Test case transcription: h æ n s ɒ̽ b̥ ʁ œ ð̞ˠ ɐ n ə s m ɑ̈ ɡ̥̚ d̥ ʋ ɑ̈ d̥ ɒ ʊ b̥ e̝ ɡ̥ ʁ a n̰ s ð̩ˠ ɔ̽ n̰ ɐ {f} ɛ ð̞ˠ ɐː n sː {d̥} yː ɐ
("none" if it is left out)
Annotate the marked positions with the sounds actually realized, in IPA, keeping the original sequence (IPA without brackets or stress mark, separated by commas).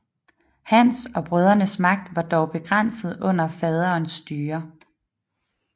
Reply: f, d̥